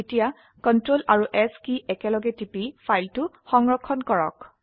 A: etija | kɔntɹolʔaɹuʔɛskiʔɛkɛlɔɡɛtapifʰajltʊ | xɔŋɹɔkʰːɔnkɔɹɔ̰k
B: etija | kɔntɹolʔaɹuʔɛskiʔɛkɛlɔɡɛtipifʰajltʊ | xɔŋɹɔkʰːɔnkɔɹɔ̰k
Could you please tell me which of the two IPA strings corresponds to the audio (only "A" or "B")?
B